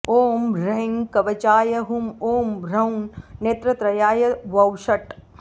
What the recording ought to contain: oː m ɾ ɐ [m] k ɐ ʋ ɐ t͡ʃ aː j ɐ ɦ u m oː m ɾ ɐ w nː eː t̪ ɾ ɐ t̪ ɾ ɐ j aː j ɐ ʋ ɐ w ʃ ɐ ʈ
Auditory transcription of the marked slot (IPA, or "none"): ŋ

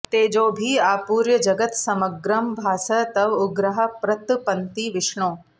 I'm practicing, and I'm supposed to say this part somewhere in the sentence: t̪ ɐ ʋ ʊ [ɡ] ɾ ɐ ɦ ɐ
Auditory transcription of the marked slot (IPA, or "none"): ɡ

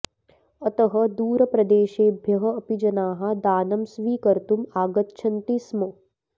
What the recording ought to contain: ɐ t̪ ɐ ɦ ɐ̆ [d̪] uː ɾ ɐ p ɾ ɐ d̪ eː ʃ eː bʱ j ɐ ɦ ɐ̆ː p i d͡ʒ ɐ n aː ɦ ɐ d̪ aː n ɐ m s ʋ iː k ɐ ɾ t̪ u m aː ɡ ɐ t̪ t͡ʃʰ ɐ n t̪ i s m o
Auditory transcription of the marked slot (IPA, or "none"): d̪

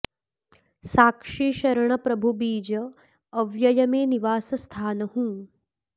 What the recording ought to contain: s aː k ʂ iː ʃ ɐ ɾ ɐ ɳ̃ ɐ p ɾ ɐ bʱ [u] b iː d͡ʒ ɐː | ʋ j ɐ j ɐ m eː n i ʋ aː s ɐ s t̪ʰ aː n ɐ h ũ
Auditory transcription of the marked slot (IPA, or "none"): u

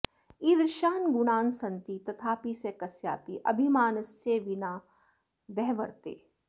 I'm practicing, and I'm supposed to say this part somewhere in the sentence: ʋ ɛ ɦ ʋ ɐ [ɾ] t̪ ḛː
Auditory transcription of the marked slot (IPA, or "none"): ɾ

